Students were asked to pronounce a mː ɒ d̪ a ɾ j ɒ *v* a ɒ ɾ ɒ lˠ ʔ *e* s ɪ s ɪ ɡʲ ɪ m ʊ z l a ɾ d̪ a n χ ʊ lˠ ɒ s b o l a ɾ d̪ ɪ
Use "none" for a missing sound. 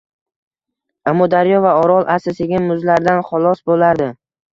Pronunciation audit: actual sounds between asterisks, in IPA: v, a

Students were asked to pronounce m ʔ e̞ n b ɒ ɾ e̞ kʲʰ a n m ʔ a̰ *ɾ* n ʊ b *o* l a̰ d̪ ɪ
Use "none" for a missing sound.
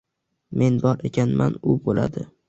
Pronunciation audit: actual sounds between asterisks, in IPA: none, o

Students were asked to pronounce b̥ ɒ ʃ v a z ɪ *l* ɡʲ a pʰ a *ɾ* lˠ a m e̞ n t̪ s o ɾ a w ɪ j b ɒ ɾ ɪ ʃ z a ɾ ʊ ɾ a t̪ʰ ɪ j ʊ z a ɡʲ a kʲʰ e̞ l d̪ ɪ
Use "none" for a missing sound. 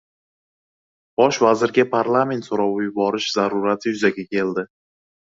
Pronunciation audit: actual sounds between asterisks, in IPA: ɾ, ɾ

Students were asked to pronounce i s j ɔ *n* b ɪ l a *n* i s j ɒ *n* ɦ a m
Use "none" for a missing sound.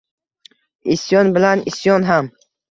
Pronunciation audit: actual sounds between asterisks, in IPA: n, n, n

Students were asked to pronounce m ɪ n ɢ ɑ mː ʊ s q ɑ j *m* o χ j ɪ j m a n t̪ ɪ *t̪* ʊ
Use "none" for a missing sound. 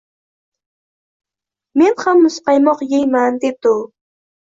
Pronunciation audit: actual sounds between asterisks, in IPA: m, t̪

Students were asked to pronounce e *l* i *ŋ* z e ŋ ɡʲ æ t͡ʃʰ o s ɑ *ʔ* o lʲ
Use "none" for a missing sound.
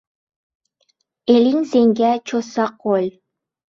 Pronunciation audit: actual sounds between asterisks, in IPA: l, ŋ, q

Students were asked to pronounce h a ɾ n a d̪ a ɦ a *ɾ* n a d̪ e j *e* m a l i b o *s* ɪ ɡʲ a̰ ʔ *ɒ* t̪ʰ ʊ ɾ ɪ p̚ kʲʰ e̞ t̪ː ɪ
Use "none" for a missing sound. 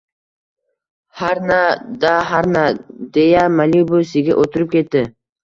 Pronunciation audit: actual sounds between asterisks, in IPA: ɾ, a, s, o

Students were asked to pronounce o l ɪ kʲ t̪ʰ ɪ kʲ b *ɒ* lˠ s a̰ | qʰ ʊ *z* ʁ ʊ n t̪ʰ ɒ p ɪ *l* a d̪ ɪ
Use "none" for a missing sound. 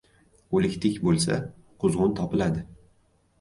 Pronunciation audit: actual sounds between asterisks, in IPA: o, z, l

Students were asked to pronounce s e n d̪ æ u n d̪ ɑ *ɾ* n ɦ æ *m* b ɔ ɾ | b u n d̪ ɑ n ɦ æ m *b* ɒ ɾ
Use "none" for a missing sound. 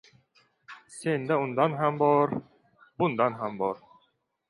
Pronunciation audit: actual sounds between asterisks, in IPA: none, m, b

